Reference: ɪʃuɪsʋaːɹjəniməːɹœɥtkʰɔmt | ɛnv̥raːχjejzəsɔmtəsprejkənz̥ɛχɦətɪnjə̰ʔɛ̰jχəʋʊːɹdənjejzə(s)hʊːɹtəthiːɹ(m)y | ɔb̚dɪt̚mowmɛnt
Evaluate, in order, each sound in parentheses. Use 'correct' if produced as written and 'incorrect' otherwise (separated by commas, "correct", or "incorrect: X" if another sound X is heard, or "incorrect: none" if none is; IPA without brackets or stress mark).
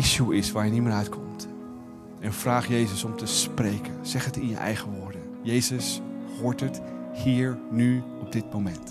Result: correct, incorrect: n